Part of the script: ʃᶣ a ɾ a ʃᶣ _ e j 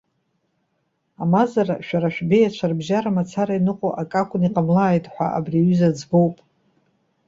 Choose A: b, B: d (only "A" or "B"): A